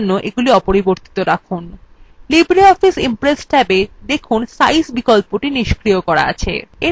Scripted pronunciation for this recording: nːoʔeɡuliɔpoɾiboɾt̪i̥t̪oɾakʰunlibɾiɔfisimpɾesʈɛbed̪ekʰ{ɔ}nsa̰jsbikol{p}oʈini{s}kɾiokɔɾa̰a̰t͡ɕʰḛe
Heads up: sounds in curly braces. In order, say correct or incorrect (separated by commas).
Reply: incorrect, correct, incorrect